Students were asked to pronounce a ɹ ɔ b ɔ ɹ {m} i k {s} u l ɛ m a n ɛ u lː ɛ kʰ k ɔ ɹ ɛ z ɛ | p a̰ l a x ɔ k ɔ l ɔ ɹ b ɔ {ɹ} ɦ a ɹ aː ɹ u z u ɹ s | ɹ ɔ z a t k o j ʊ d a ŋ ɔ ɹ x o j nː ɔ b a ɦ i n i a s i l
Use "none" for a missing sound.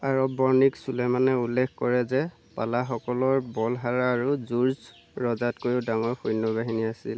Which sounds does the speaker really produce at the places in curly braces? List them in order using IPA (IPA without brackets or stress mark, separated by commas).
n, s, l